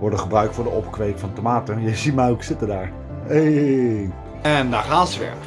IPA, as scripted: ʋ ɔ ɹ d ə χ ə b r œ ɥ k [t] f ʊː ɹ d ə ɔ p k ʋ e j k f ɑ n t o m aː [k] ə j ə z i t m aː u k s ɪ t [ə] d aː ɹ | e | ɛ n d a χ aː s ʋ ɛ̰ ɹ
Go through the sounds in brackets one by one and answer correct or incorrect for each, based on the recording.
correct, incorrect: t, correct

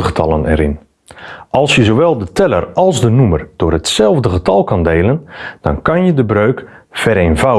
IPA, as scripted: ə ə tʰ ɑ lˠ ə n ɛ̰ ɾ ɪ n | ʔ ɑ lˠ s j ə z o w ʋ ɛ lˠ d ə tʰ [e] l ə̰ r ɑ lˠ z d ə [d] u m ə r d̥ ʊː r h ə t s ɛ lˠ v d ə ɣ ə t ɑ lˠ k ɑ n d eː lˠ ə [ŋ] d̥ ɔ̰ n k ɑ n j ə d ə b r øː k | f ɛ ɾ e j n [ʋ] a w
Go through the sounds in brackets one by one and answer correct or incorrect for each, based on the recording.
incorrect: ɛ, incorrect: n, incorrect: n, incorrect: v

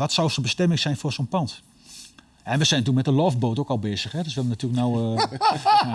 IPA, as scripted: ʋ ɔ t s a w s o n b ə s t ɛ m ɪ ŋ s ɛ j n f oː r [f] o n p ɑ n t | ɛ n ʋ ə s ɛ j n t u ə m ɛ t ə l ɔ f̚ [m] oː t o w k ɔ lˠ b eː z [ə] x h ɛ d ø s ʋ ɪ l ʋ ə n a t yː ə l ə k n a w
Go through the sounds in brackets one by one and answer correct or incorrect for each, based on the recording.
incorrect: s, incorrect: b, correct

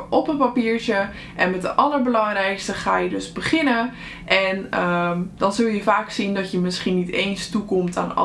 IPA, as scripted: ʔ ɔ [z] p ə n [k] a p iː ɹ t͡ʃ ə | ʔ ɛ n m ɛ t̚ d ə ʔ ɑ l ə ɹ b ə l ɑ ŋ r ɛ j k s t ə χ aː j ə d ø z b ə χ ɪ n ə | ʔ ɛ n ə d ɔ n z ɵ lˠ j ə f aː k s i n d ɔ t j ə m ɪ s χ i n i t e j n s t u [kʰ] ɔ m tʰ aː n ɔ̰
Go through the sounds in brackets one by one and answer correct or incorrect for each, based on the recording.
incorrect: none, incorrect: p, incorrect: k

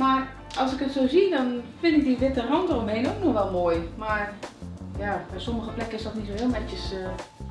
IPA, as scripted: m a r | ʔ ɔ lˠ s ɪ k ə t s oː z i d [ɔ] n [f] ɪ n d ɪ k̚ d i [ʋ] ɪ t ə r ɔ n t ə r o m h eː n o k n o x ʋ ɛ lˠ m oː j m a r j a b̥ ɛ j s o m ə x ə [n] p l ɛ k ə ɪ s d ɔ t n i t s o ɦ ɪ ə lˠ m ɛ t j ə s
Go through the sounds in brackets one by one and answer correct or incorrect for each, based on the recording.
correct, correct, correct, incorrect: none

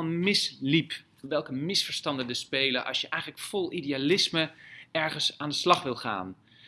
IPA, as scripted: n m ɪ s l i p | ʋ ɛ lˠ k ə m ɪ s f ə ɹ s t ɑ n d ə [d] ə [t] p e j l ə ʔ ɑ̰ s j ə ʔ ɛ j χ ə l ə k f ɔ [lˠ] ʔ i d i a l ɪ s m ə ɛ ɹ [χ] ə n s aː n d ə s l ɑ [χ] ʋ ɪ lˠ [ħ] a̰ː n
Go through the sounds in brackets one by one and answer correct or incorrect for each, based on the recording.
correct, incorrect: s, correct, correct, correct, incorrect: χ

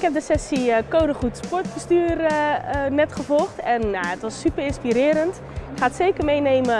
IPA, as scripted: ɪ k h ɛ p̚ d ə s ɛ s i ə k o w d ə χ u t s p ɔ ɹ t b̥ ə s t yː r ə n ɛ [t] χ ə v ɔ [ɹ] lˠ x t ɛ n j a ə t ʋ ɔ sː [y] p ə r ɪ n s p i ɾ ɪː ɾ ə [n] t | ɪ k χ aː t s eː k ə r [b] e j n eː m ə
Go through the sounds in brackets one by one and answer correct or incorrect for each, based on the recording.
correct, incorrect: none, correct, correct, incorrect: m

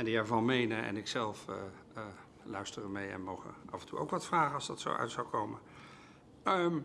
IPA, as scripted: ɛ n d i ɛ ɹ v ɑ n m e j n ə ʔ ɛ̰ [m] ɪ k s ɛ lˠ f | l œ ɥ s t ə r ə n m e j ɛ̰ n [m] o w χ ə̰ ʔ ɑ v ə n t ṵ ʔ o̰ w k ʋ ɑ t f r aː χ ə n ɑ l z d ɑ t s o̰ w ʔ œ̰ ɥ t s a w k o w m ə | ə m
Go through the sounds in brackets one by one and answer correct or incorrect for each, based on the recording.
incorrect: n, correct

